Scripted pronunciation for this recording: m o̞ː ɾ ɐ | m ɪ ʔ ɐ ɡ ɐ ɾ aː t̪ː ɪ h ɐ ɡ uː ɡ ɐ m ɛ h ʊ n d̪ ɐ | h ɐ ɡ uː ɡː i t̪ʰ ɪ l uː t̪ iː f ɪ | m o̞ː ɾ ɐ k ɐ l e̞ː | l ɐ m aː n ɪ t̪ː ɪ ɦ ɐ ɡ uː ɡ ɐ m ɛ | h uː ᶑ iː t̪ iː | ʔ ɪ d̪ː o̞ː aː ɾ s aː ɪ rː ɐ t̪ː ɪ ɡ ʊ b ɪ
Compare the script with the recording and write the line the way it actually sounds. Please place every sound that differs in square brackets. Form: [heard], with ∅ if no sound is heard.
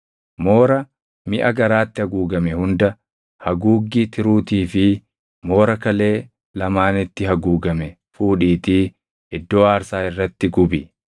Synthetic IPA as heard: m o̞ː ɾ ɐ | m ɪ ʔ ɐ ɡ ɐ ɾ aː t̪ː ɪ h ɐ ɡ uː ɡ ɐ m ɛ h ʊ n d̪ ɐ | h ɐ ɡ uː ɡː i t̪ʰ ɪ [ɾ] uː t̪ iː f ɪ | m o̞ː ɾ ɐ k ɐ l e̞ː | l ɐ m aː n ɪ t̪ː ɪ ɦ ɐ ɡ uː ɡ ɐ m ɛ | [f] uː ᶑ iː t̪ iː | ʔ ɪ d̪ː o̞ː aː ɾ s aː ɪ rː ɐ t̪ː ɪ ɡ ʊ b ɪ